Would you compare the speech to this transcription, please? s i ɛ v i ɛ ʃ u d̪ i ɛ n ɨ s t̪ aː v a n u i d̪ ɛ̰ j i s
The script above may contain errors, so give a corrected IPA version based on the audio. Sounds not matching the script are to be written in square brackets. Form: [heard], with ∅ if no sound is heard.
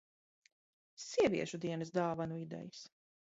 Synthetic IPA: s i ɛ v i ɛ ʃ u d̪ i ɛ n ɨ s [d̪] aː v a n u i d̪ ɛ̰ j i s